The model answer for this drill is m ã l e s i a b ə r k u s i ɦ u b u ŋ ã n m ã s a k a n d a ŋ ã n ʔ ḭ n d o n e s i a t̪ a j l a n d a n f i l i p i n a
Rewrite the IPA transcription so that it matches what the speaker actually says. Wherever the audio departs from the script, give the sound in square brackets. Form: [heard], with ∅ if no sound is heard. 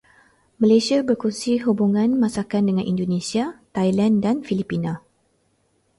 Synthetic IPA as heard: m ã l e s i a b ə r k u s i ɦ u b u ŋ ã n m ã s a k a n d [ə] ŋ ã n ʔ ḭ n d o n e s i a t̪ a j l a n d a n f i l i p i n a